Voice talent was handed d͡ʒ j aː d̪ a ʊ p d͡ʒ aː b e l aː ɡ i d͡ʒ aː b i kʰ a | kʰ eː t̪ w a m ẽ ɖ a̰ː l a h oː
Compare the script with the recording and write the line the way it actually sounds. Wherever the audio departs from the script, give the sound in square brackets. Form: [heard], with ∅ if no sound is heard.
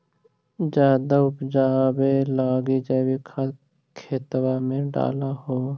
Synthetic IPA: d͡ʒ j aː d̪ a ʊ p d͡ʒ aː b e l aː ɡ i d͡ʒ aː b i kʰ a | kʰ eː t̪ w a m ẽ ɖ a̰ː l a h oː